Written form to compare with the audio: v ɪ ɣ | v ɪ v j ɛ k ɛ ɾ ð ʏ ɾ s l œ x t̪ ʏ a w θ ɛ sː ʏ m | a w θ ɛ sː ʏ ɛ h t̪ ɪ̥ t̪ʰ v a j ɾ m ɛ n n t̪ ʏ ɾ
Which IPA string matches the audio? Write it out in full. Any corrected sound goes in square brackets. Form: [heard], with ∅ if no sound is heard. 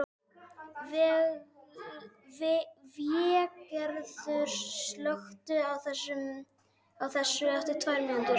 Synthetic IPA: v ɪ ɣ | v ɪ v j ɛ k ɛ ɾ ð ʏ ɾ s l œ x t̪ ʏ a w θ ɛ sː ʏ m | a w θ ɛ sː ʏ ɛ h t̪ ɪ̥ t̪ʰ v a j ɾ m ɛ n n t̪ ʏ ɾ